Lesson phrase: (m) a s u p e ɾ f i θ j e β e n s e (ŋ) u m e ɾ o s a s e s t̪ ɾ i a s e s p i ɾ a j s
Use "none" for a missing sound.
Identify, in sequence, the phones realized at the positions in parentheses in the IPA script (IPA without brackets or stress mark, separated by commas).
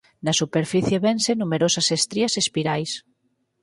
n, n